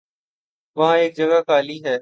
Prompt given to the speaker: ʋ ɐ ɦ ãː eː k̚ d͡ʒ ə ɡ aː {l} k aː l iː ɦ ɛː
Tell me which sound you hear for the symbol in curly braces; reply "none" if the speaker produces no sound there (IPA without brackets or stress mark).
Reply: none